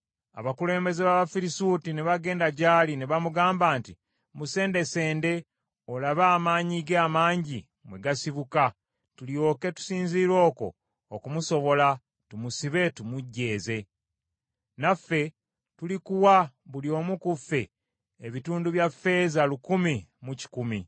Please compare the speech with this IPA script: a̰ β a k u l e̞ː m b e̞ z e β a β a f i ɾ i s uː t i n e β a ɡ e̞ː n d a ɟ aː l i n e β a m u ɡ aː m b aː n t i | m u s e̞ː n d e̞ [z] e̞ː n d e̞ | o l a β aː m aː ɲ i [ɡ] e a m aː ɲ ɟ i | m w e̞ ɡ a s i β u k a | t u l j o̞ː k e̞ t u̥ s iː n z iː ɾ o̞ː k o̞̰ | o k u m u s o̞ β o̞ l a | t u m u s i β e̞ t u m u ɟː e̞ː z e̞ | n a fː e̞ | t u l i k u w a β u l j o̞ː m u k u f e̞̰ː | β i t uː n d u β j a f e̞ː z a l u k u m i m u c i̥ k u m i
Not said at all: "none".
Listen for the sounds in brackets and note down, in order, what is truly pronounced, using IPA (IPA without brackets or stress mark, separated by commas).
s, ɡ